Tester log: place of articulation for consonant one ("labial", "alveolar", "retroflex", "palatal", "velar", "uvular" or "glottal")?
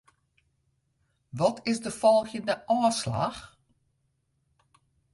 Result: labial